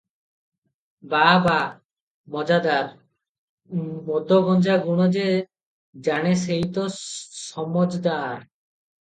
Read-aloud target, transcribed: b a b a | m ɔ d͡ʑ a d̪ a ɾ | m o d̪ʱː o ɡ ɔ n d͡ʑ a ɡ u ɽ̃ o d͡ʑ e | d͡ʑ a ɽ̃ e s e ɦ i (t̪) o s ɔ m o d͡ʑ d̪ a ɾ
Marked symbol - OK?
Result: yes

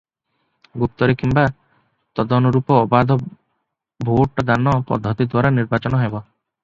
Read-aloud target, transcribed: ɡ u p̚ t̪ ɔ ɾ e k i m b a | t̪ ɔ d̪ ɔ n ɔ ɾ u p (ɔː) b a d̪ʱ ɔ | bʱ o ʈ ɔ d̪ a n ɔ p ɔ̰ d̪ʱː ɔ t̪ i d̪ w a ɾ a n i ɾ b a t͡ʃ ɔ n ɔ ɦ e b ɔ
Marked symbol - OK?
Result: yes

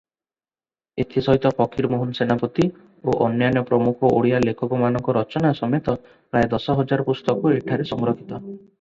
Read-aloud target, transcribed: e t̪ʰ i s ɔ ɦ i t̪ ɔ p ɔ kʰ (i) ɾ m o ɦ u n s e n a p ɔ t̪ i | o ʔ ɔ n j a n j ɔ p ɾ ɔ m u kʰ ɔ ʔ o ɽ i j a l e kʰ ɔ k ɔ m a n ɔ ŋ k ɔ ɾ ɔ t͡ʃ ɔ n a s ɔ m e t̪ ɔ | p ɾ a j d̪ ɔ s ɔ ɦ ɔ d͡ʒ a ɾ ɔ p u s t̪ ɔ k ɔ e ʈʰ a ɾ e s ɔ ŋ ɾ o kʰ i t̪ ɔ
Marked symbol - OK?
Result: yes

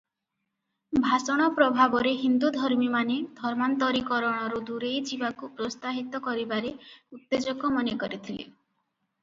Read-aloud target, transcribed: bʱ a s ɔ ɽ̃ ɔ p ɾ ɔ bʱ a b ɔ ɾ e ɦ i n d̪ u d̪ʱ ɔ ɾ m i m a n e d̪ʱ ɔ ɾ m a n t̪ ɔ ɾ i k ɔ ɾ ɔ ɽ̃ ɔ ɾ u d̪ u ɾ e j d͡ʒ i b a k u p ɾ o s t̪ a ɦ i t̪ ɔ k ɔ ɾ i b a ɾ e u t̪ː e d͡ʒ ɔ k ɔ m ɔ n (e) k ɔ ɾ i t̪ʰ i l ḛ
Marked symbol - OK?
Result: yes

